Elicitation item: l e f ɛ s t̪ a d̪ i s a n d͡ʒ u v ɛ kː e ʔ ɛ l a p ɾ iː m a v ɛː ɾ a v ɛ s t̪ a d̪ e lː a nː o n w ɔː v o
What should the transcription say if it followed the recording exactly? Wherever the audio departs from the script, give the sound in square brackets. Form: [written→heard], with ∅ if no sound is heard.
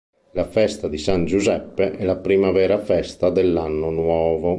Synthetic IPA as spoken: l [e→a] f ɛ s t̪ a d̪ i s a n d͡ʒ u [v→z] ɛ [kː→pː] e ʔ ɛ l a p ɾ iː m a v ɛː ɾ a [v→f] ɛ s t̪ a d̪ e lː a nː o n w ɔː v o